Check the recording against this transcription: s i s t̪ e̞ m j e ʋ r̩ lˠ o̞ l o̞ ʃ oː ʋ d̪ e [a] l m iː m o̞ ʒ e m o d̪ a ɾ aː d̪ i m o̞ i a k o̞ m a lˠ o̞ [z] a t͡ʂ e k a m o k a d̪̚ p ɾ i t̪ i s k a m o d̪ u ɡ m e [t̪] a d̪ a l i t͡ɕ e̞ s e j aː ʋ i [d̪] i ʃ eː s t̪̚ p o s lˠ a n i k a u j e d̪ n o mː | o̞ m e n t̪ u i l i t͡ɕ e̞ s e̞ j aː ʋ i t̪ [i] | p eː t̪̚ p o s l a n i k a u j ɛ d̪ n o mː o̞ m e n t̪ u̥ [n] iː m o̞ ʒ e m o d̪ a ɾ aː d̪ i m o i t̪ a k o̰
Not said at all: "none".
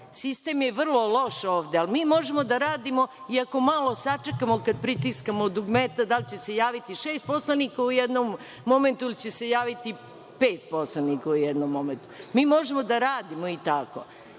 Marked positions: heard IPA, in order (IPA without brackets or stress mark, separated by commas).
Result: a, s, t̪, t̪, i, m